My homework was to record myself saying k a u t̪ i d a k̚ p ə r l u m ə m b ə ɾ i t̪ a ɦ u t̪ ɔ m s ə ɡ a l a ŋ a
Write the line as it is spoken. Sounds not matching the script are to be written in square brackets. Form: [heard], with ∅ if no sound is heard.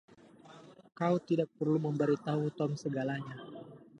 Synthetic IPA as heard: k a u t̪ i d a k̚ p ə r l u m ə m b ə ɾ i t̪ a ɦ u t̪ ɔ m s ə ɡ a l a [ɲ] a